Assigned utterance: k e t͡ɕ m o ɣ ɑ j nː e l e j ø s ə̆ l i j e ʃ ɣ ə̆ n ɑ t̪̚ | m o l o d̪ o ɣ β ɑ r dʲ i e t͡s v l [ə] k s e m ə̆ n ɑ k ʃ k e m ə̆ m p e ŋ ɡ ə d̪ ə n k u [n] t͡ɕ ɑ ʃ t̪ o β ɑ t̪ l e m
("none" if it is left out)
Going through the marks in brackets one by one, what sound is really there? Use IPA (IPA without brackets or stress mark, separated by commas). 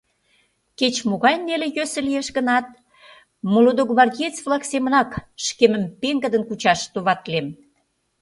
ɑ, none